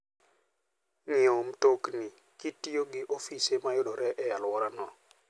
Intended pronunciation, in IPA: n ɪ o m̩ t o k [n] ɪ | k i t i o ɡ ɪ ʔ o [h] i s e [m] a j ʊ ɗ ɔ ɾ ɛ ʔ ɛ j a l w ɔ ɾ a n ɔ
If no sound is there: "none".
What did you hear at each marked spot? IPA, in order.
n, f, m

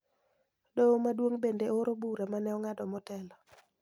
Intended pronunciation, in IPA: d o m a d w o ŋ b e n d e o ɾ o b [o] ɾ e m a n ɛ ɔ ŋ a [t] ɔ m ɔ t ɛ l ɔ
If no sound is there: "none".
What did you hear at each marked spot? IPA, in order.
u, d

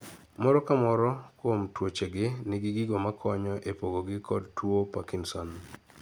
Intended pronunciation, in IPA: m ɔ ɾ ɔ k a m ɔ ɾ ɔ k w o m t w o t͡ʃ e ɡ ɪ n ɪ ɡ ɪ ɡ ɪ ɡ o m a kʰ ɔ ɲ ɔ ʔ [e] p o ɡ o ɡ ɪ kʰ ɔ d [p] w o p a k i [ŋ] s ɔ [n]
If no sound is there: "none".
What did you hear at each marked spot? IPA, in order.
e, t, n, n

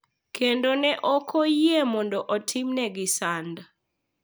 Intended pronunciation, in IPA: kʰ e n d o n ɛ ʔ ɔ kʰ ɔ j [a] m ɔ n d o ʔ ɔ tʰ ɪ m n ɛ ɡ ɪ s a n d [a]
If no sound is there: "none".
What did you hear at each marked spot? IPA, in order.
e, a

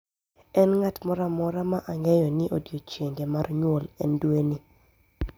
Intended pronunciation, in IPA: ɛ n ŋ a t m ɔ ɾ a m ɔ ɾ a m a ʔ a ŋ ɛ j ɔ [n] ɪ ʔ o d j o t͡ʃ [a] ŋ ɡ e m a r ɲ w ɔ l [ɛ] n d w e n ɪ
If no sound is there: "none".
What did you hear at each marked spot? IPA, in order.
n, e, ɛ

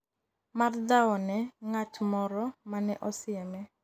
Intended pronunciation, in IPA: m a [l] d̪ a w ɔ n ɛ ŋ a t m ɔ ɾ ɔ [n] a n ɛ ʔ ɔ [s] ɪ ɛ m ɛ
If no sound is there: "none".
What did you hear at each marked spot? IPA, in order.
r, m, s

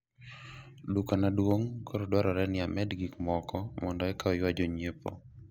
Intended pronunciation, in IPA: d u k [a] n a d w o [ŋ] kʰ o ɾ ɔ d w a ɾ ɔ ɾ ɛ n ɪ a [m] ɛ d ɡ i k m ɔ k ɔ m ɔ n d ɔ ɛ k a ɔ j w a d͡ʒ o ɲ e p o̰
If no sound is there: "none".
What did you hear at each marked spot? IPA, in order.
a, ŋ, m

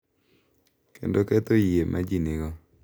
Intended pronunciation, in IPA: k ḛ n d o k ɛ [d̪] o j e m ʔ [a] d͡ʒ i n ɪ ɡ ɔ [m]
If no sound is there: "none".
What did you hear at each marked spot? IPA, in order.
t̪, a, none

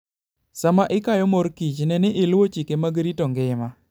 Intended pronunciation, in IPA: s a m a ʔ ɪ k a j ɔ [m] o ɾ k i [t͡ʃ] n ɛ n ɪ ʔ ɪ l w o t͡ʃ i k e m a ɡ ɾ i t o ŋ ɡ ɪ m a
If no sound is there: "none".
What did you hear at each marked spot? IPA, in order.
m, t͡ʃ

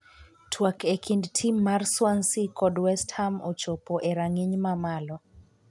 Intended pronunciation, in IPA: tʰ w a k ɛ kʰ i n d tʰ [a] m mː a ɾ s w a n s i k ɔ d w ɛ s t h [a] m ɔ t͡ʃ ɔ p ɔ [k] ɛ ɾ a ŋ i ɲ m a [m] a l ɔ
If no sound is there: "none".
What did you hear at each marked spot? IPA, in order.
i, a, ʔ, m

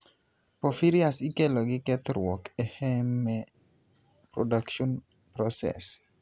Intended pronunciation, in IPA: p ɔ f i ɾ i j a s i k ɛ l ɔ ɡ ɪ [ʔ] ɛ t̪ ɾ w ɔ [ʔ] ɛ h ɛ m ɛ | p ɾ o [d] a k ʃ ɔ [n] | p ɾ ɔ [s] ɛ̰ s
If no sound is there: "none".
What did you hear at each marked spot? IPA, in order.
k, k, d, n, s

